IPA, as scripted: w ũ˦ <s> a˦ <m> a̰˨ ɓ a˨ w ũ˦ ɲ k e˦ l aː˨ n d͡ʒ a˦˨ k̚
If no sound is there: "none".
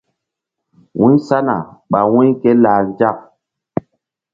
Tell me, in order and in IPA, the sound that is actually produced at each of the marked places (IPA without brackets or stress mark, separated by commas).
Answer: s, n